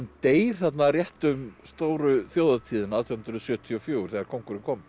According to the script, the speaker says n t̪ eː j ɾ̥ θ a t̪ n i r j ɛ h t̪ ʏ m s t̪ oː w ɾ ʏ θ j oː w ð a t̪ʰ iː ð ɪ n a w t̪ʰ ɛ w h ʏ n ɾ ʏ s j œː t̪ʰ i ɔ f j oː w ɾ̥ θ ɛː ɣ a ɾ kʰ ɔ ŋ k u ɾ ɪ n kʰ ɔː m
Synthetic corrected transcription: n t̪ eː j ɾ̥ θ a t̪ n a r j ɛ h t̪ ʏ m s t̪ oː w ɾ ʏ θ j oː w ð a t̪ʰ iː ð ɪ n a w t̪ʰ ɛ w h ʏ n ɾ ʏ s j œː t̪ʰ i ɔ f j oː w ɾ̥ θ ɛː ɣ a ɾ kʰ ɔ ŋ k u ɾ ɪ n kʰ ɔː m